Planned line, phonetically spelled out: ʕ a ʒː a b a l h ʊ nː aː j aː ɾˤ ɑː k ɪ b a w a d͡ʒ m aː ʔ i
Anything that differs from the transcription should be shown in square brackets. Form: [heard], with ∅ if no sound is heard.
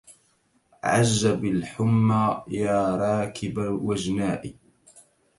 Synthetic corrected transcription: ʕ a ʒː a b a l [ħ] ʊ [mː] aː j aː ɾˤ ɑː k ɪ b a w a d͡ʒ [n] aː ʔ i